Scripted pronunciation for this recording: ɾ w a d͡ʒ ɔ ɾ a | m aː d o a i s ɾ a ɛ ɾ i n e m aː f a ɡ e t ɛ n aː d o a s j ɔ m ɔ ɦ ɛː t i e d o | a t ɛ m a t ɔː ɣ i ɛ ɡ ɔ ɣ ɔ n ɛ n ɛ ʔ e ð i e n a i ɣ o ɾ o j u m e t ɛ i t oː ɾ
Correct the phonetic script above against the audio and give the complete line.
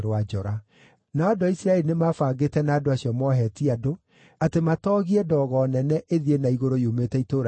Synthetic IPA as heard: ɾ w a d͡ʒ ɔ ɾ a | n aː d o a i s ɾ a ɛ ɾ i n e m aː f a ɡ e t ɛ n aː d o a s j ɔ m ɔ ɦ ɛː t i a d o | a t e m a t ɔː ɣ i ɛ d ɔ ɣ ɔ n ɛ n ɛ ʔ e ð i e n a i ɣ o ɾ o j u m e t ɛ i t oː ɾ

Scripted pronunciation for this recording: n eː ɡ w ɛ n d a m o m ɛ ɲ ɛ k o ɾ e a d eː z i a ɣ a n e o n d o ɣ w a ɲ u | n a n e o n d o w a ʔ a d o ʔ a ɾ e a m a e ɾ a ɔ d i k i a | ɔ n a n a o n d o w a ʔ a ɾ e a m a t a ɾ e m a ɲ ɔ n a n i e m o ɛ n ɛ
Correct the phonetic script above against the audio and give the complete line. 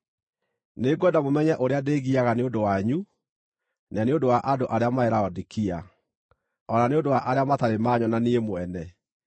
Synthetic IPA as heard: n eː ɡ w ɛ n d a m o m ɛ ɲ ɛ ʔ o ɾ e a d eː ɣ i a ɣ a n e o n d o w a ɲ u | n a n e o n d o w a ʔ a d o ʔ a ɾ e a m a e ɾ a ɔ d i k i a | ɔ n a n e o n d o w a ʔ a ɾ e a m a t a ɾ e m a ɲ ɔ n a n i e m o ɛ n ɛ

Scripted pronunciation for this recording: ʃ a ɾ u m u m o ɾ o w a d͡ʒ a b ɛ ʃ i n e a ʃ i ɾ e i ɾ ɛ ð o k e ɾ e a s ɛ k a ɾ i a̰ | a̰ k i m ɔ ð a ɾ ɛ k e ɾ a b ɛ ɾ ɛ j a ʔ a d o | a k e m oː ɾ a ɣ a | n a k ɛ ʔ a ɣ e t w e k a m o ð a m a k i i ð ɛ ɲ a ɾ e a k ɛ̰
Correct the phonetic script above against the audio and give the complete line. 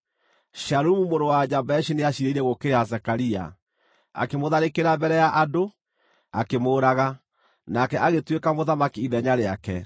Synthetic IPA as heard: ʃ a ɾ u m u m o ɾ o w a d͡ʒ a b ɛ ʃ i n e a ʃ i ɾ e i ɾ ɛ ɣ o k e ɾ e a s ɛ k a ɾ i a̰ | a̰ k e m o ð a ɾ e k e ɾ a b ɛ ɾ ɛ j a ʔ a d o | a k e m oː ɾ a ɣ a | n a k ɛ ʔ a ɣ e t w e k a m o ð a m a k i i ð ɛ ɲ a ɾ e a k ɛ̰

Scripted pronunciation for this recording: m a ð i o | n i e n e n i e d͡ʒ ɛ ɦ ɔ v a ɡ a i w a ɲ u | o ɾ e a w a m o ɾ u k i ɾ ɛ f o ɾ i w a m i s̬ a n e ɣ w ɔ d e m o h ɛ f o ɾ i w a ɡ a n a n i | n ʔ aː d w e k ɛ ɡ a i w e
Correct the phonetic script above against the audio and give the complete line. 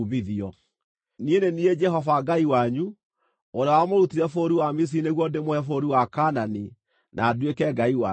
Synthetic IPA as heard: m i ð i ɔ | n i e n e n i e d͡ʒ ɛ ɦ ɔ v a ɡ a i w a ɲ u | o ɾ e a w a m o ɾ u t i ɾ ɛ f o ɾ i w a m i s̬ i n e ɣ w ɔ d e m o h ɛ f o ɾ i w a k a n a n i | n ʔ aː d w e k ɛ ɡ a i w a

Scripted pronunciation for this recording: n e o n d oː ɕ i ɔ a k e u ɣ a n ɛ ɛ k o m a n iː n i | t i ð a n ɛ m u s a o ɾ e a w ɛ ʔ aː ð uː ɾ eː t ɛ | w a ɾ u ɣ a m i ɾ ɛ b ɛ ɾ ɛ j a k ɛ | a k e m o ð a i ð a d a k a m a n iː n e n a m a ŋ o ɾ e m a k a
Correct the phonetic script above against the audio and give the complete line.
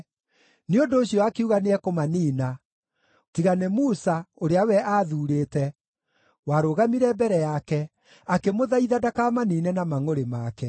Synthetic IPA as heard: n e o n d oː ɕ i ɔ a k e u ɣ a n e ɛ k o m a n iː n a | t i ɣ a n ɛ m u s a o ɾ e a w ɛ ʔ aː ð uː ɾ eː t ɛ | w a ɾ o ɣ a m i ɾ ɛ b ɛ ɾ ɛ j a k ɛ | a k e m o ð a i ð a d a k a m a n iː n ɛ n a m a ŋ o ɾ e m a k ɛ

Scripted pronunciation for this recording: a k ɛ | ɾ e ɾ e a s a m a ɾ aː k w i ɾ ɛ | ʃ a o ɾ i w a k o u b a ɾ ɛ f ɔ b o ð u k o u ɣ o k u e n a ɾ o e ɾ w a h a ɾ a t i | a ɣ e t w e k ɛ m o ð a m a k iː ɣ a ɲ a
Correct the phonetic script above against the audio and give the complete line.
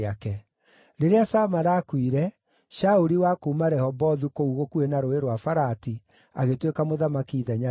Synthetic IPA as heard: a k ɛ | ɾ e ɾ e a s a m a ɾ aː k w i ɾ ɛ | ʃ a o ɾ i w a k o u m a ɾ ɛ h ɔ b ɔ ð u k o u ɣ o k u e n a ɾ o e ɾ w a f a ɾ a t i | a ɣ e t w e k a m o ð a m a k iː ð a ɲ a

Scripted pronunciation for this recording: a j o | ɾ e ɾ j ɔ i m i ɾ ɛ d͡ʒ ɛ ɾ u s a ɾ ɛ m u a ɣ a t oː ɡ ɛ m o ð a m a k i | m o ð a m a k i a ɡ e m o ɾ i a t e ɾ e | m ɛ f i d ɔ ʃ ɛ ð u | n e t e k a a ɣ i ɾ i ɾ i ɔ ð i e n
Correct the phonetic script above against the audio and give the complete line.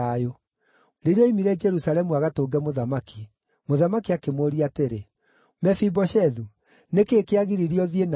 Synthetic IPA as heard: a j o | ɾ e ɾ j ɔ i m i ɾ ɛ d͡ʒ ɛ ɾ u s a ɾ ɛ m u a ɣ a t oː ɡ ɛ m o ð a m a k i | m o ð a m a k i a k e m o ɾ i a t e ɾ e | m ɛ f i b ɔ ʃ ɛ ð u | n e k e k e a ɣ i ɾ i ɾ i ɔ ð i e n

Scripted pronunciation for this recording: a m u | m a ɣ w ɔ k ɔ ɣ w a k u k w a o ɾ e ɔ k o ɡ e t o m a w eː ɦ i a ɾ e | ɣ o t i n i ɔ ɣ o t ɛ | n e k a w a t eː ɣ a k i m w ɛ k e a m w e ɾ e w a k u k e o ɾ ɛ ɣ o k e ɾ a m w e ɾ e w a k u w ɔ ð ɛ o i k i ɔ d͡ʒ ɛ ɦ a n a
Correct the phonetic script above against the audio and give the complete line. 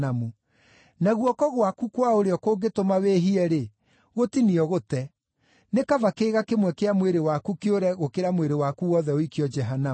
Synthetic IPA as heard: a m u | n a ɣ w ɔ k ɔ ɣ w a k u k w a o ɾ e ɔ k o ɡ e t o m a w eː ɦ i ɛ ɾ e | ɣ o t i n i ɔ ɣ o t ɛ | n e k a v a k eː ɣ a k e m w ɛ k e a m w e ɾ e w a k u k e o ɾ ɛ ɣ o k e ɾ a m w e ɾ e w a k u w ɔ ð ɛ o i k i ɔ d͡ʒ ɛ ɦ a n a

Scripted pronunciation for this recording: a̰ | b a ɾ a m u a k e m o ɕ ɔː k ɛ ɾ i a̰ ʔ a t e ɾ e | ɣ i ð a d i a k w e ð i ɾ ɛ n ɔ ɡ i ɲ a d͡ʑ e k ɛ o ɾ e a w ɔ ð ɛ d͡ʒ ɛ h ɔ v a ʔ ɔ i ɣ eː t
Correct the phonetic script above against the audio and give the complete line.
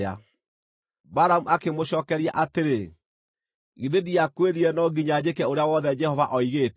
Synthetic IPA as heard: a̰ | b a ɾ a m u a k e m o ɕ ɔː k ɛ ɾ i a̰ ʔ a t e ɾ e | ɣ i ð e d i a k w e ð i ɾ ɛ n ɔ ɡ i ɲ a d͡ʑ e k ɛ o ɾ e a w ɔ ð ɛ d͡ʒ ɛ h ɔ v a ʔ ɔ i ɣ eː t

